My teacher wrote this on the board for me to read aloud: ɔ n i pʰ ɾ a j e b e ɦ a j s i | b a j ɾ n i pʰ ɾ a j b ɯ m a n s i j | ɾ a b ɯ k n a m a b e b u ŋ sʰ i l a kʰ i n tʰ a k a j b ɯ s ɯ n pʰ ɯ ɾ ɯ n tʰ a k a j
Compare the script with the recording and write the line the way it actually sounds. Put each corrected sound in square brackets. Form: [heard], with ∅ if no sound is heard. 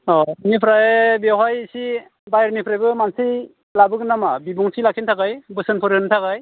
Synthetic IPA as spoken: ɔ n i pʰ ɾ a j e b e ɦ a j s i | b a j ɾ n i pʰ ɾ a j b ɯ m a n s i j | [l] a b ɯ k n a m a b [i] b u ŋ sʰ i l a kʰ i n tʰ a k a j b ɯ s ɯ n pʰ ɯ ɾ ɯ n tʰ a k a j